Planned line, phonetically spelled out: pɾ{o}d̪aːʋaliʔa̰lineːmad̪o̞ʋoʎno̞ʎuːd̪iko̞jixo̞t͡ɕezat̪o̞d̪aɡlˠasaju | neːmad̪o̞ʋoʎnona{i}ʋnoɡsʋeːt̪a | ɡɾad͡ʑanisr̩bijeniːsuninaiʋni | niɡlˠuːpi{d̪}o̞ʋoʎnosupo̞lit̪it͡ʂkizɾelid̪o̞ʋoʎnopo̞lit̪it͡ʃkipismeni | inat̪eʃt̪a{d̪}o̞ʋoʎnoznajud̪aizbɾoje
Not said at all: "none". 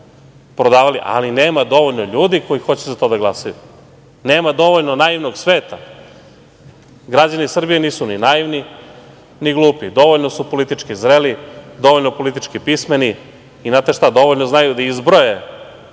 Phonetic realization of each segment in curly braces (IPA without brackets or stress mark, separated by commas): o, i, d̪, d̪